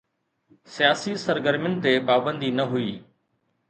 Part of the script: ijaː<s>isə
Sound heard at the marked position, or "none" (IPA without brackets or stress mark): s